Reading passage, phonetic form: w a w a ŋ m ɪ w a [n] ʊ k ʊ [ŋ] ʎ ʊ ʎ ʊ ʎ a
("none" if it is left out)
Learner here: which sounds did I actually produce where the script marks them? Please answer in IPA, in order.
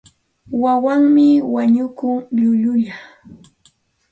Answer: ɲ, ŋ

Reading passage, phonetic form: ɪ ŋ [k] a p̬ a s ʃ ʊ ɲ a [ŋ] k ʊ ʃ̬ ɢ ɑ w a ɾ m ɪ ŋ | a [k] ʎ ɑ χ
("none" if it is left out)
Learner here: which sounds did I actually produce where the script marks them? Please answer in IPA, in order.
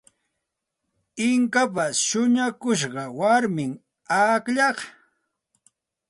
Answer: k, none, k

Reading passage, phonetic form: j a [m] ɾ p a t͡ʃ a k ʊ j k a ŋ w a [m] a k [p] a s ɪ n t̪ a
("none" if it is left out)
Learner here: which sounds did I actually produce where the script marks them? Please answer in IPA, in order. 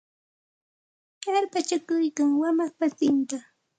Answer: none, m, p

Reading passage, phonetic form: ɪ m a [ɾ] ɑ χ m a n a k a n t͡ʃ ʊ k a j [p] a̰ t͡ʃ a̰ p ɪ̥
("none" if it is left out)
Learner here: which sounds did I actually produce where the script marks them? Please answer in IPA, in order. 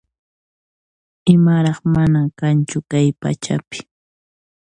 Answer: ɾ, p

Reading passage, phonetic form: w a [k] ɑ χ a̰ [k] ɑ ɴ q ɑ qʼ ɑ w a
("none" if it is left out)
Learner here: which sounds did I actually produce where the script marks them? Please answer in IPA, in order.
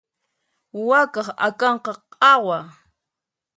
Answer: k, k

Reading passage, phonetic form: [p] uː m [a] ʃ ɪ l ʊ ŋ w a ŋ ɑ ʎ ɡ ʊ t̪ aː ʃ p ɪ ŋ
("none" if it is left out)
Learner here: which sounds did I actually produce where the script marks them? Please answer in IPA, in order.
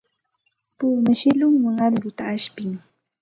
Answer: p, a

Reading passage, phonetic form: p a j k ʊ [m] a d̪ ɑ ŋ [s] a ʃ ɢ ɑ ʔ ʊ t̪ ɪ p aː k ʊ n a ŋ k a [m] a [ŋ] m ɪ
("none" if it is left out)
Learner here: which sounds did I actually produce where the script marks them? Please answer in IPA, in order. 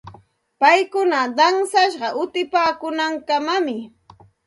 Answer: n, s, m, none

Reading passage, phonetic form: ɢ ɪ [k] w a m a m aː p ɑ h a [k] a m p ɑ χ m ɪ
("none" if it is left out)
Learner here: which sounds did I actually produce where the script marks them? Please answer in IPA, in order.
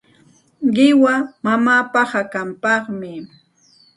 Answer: none, k

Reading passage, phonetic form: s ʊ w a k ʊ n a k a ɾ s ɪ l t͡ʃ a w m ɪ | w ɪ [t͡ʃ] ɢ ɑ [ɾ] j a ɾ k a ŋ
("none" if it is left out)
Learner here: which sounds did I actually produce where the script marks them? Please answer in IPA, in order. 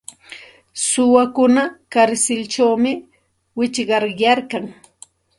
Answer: t͡ʃ, ɾ

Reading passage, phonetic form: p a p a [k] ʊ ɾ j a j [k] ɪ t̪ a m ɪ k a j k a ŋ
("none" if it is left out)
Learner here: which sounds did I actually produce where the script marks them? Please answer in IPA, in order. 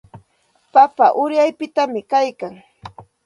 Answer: ʔ, p

